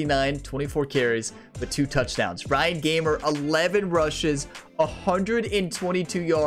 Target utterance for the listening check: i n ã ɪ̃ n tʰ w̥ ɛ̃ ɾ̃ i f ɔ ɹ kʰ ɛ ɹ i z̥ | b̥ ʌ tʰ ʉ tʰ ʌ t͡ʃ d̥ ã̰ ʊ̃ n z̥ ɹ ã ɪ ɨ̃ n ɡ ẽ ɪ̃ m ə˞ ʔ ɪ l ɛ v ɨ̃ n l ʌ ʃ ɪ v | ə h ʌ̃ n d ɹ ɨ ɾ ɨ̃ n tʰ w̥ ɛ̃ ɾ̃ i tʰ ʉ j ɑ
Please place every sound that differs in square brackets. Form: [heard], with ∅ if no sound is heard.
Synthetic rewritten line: i n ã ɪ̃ n tʰ w̥ ɛ̃ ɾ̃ i f ɔ ɹ kʰ ɛ ɹ i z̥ | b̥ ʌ tʰ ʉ tʰ ʌ t͡ʃ d̥ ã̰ ʊ̃ n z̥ ɹ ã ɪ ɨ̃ n ɡ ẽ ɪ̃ m ə˞ ʔ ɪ l ɛ v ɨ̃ n [ɹ] ʌ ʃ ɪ [z] | ə h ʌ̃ n d ɹ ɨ ɾ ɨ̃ n tʰ w̥ ɛ̃ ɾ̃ i tʰ ʉ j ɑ